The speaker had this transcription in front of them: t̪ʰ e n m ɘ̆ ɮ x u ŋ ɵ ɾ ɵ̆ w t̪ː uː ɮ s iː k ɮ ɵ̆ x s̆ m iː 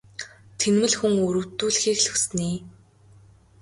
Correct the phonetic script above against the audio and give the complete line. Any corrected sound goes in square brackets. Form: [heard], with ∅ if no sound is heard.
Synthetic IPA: t̪ʰ e n m ɘ̆ ɮ x u ŋ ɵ ɾ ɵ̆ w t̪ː uː ɮ [x] iː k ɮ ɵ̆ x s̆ [n] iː